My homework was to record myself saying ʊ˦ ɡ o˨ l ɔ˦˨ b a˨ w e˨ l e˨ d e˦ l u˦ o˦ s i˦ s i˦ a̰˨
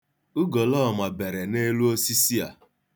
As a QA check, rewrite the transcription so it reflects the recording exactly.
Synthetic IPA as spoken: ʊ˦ ɡ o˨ l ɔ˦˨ m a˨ b e˨ ɾ e˨ n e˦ l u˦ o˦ s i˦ s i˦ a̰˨